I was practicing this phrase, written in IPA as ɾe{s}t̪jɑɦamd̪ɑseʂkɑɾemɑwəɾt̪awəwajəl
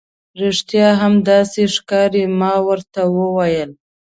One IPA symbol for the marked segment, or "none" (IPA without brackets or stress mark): ʂ